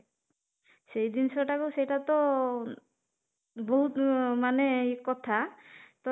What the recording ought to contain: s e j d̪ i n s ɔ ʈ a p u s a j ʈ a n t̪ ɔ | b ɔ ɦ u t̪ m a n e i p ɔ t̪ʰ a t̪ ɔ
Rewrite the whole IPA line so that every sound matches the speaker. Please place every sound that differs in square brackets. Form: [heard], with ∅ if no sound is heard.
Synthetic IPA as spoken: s e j d̪ i n s ɔ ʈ a [k] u s [e] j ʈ a [∅] t̪ ɔ | b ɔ ɦ u t̪ m a n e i [k] ɔ t̪ʰ a t̪ ɔ